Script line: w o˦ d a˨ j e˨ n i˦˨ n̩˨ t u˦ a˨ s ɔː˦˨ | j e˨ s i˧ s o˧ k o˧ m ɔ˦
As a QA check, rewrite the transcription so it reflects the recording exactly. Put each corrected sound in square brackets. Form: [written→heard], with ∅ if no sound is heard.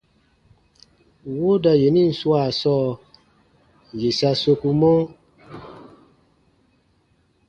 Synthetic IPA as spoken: w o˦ d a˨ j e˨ n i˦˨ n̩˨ [t→s] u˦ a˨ s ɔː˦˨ | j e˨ s [i˧→a˧] s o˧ k [o˧→u˧] m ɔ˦